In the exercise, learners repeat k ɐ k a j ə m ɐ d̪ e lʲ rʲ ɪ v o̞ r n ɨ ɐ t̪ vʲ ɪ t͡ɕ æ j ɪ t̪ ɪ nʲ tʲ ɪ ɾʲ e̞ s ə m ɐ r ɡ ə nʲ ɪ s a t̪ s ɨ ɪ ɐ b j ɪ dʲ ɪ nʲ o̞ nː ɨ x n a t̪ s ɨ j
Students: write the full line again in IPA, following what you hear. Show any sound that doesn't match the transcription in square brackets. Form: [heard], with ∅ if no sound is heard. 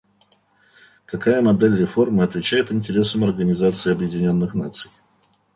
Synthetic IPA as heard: k ɐ k a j ə m ɐ d̪ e lʲ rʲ ɪ [f] o̞ r [m] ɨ ɐ t̪ vʲ ɪ t͡ɕ æ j ɪ t̪ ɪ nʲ tʲ ɪ ɾʲ e̞ s ə m ɐ r ɡ ə nʲ ɪ [z] a t̪ s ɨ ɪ ɐ b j ɪ dʲ ɪ nʲ o̞ nː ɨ x n a t̪ s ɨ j